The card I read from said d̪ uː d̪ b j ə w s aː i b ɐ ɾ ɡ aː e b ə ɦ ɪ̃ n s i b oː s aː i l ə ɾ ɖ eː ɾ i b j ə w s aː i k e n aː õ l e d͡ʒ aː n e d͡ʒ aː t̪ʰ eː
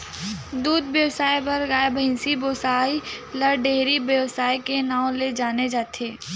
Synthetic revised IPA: d̪ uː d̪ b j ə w s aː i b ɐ ɾ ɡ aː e b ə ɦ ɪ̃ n s i b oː s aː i l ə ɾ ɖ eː ɾ i b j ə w s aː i k e n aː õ l e d͡ʒ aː n e d͡ʒ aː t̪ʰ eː